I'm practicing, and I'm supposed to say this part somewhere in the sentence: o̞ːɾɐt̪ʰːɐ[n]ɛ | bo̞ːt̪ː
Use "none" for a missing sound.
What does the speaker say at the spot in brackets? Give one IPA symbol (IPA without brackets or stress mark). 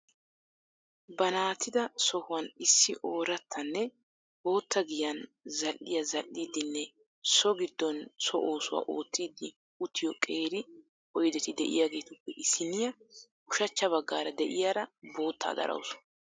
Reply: nː